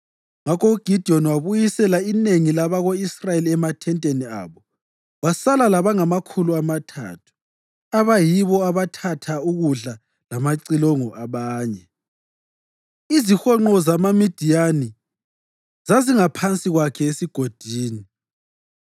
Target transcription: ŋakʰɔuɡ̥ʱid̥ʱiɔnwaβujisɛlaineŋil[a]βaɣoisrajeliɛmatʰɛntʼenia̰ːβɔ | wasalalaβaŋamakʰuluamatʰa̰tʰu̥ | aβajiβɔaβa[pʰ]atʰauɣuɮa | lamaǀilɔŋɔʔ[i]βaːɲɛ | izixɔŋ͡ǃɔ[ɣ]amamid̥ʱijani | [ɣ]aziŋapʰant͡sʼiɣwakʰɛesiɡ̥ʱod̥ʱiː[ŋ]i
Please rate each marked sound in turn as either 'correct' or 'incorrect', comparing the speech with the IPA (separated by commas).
correct, incorrect, incorrect, incorrect, incorrect, incorrect